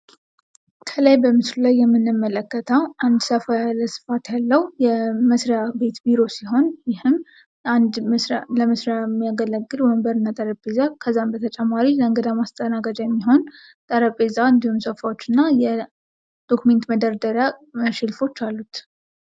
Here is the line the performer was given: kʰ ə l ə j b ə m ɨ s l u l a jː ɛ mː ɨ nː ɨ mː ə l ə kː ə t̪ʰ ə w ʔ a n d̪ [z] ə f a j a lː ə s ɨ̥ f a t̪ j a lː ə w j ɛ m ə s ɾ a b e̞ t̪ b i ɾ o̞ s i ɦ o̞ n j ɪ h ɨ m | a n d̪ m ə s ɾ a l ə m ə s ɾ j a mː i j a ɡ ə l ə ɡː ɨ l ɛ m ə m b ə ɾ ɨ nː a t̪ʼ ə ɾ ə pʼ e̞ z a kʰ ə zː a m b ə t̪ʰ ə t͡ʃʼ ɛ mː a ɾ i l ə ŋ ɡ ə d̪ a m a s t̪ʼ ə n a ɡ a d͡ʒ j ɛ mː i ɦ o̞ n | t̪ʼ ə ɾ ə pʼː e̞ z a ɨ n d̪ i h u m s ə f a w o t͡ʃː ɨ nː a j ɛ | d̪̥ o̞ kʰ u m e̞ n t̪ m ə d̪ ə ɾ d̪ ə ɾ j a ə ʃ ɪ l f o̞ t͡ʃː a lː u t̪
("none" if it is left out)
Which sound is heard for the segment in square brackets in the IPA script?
s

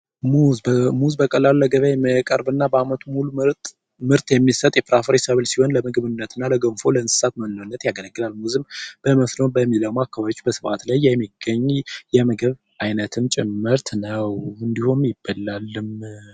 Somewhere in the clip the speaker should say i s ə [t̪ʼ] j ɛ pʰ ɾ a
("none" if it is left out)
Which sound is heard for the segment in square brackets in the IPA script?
t̪ʼ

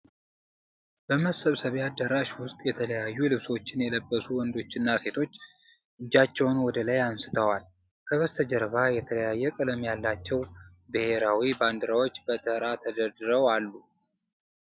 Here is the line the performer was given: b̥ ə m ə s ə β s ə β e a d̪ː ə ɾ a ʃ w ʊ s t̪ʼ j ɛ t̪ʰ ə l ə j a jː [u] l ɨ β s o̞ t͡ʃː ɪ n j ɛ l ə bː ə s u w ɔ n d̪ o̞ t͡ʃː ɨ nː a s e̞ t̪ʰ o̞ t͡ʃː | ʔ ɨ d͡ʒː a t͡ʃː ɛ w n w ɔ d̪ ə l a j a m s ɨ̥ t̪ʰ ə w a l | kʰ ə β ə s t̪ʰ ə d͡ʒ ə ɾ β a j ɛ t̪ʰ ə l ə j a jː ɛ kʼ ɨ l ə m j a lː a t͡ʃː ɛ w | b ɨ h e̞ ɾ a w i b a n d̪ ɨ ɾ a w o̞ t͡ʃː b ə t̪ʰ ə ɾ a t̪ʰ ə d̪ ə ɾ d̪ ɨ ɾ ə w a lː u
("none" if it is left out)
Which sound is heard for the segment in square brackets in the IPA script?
u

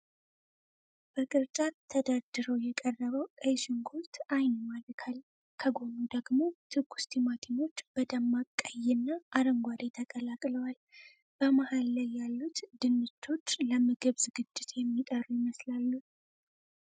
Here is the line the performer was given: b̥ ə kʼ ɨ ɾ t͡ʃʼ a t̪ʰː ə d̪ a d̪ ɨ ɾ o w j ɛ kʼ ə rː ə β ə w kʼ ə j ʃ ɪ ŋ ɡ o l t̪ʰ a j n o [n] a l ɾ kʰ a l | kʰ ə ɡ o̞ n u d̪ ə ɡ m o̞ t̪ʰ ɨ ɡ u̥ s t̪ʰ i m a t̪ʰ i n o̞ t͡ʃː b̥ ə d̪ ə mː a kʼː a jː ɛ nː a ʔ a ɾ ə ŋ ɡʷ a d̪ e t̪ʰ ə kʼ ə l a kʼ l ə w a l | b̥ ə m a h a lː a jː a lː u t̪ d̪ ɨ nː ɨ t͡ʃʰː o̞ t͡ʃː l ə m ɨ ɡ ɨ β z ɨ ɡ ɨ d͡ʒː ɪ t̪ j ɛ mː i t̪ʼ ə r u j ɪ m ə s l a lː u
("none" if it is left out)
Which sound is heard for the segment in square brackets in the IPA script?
m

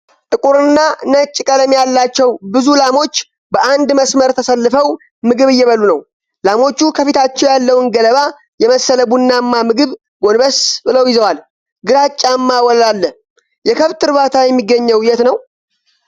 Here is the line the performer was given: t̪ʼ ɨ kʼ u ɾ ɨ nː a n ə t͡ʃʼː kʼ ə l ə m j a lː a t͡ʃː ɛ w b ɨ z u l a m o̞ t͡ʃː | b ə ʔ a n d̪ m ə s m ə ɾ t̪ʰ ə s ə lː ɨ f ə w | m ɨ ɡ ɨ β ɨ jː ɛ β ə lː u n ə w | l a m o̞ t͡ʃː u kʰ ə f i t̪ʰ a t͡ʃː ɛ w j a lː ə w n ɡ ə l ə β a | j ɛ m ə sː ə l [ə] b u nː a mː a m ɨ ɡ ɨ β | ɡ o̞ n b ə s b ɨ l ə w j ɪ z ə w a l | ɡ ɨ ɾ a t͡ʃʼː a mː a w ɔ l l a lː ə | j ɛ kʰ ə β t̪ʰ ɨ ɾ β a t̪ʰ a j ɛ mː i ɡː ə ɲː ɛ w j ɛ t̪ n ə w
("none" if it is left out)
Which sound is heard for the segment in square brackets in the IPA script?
ə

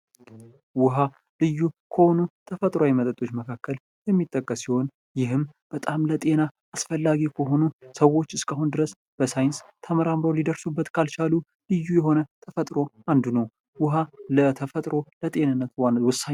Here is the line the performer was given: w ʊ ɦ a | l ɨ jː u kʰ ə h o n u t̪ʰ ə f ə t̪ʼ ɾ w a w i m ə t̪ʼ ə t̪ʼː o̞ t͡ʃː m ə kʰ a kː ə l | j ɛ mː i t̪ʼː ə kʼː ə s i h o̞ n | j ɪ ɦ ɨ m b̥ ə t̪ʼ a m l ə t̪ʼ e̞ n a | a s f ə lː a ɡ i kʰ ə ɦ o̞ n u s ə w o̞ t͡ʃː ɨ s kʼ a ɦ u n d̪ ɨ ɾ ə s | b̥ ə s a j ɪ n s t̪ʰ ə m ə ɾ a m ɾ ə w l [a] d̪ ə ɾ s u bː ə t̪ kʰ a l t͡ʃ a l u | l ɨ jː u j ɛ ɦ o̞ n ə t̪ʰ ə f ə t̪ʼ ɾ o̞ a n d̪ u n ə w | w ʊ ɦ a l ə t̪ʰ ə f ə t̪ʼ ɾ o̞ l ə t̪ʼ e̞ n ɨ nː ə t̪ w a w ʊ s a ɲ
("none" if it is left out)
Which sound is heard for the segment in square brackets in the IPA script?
i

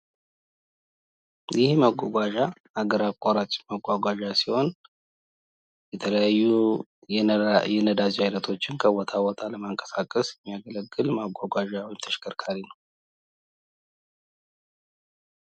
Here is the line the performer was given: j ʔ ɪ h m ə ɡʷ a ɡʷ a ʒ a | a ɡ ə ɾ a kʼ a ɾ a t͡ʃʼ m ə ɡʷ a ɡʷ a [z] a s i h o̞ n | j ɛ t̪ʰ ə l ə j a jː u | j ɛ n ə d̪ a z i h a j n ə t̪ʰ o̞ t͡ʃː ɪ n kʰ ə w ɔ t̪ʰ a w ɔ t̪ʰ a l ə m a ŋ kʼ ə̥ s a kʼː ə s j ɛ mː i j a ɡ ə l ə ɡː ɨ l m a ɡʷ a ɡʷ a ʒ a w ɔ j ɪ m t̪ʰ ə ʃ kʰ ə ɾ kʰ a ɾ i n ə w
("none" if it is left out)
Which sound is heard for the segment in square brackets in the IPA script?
ʒ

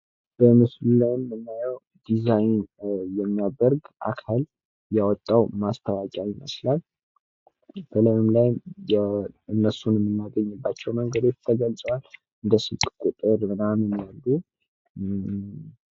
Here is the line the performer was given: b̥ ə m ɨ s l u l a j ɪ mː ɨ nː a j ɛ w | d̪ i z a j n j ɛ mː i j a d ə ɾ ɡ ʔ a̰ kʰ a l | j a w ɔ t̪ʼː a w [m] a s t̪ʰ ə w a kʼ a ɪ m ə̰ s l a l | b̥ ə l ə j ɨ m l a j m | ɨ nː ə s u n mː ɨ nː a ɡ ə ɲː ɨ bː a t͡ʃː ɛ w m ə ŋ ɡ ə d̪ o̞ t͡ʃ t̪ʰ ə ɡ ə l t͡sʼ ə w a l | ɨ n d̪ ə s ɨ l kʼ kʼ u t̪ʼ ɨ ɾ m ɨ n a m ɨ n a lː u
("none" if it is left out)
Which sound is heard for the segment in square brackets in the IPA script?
m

